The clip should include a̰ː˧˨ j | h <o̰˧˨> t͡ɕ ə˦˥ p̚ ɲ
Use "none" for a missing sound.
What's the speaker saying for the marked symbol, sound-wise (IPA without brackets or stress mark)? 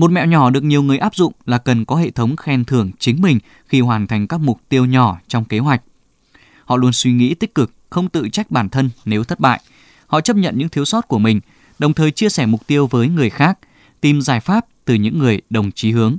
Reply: ɔ̰˧˨